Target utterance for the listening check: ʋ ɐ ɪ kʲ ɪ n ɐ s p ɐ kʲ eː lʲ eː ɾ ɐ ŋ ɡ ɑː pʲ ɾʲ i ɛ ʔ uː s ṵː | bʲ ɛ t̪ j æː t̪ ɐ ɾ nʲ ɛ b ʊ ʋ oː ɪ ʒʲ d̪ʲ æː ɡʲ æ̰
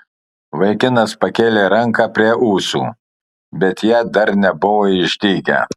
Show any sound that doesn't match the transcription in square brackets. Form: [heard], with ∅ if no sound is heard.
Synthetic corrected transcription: ʋ ɐ ɪ kʲ ɪ n ɐ s p ɐ kʲ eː lʲ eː ɾ ɐ ŋ [k] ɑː pʲ ɾʲ i ɛ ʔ uː s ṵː | bʲ ɛ t̪ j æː [d̪] ɐ ɾ nʲ ɛ b ʊ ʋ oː ɪ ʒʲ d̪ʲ [iː] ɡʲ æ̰